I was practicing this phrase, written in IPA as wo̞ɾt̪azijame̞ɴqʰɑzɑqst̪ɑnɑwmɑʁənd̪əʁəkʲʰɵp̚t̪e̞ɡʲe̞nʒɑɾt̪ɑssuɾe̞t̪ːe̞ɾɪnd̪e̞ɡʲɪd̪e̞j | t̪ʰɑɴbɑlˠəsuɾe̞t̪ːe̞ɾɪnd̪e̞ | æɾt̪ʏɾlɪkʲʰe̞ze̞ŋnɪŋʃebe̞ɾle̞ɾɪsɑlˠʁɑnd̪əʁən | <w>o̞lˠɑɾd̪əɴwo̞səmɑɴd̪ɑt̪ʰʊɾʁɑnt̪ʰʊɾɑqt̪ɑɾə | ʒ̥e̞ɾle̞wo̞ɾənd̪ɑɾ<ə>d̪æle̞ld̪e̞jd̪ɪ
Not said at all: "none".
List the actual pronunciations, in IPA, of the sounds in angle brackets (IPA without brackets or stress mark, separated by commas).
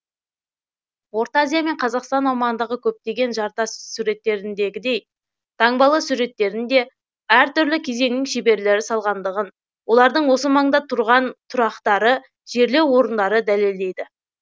w, ə